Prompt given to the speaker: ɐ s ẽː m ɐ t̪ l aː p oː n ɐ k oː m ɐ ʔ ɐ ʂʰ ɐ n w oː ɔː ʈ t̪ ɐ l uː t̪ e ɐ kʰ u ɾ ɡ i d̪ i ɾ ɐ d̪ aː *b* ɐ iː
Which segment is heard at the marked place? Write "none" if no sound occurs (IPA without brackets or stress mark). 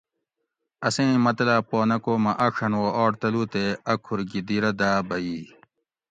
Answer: b